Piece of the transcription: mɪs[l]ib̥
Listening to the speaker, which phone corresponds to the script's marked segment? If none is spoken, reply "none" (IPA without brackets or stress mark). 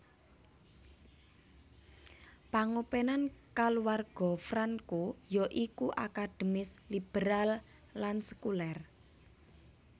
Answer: l